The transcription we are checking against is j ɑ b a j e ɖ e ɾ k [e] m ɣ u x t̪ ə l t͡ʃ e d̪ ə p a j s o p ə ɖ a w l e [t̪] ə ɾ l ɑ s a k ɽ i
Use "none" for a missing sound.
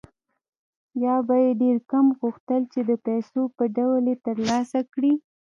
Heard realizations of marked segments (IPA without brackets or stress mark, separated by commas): a, t̪